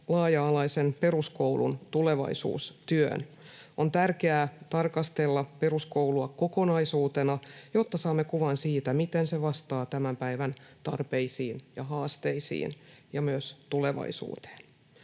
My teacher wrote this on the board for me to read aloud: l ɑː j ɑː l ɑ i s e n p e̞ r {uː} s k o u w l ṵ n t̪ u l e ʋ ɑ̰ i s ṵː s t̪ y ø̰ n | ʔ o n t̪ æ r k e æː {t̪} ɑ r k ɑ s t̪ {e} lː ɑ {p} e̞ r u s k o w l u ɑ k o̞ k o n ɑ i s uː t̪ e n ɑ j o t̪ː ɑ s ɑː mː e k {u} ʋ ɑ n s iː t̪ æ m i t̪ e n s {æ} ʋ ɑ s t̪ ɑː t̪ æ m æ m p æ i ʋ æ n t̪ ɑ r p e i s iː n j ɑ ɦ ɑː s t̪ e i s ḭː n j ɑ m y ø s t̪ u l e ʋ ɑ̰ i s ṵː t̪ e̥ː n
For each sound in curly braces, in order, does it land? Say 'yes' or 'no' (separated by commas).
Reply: no, yes, yes, yes, yes, no